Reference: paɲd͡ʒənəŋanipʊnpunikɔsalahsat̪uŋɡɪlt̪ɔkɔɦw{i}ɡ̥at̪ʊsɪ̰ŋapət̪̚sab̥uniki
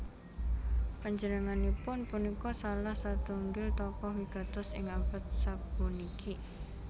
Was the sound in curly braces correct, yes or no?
yes